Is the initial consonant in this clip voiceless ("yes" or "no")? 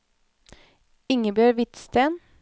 no